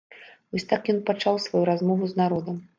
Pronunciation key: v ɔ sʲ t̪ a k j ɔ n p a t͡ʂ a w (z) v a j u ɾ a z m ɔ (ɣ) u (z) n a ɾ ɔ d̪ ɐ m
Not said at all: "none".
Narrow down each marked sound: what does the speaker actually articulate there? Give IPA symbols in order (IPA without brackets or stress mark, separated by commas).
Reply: s, v, z